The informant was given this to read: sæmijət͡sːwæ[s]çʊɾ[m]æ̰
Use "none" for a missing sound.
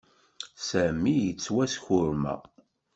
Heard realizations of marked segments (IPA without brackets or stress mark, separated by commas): s, m